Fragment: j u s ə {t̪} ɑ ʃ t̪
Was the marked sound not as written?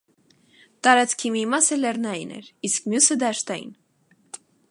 yes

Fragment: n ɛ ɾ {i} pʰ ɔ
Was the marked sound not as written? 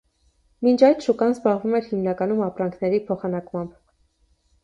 no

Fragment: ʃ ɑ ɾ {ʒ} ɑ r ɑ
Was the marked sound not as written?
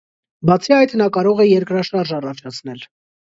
no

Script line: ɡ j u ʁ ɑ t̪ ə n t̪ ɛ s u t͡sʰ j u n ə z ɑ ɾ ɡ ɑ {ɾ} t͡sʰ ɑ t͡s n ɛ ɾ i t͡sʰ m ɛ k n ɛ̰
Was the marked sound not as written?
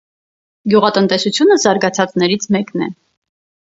yes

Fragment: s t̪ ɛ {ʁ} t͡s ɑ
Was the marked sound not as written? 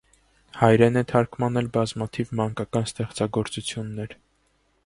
yes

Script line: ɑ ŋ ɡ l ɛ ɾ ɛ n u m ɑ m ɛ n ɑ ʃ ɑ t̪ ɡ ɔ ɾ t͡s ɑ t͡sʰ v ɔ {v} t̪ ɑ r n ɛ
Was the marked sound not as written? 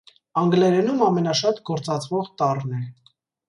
yes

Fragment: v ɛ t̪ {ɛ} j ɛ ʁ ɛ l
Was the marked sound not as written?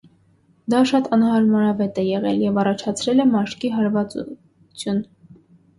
no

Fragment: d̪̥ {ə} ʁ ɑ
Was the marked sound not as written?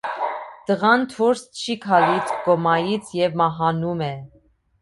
no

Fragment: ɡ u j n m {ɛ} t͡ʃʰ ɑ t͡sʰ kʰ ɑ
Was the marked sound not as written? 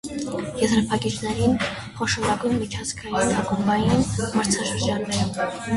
yes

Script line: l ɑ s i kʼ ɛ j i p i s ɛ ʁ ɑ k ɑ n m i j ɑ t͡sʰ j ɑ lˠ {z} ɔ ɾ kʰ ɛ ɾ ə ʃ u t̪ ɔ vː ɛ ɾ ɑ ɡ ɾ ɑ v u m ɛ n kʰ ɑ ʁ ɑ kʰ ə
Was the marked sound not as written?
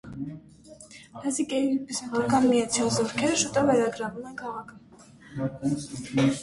no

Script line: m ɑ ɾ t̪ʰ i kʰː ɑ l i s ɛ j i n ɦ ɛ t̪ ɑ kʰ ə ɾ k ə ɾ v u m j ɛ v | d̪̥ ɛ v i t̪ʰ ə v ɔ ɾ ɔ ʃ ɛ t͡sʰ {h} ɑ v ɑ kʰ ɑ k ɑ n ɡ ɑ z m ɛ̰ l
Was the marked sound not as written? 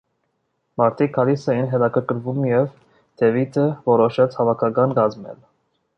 no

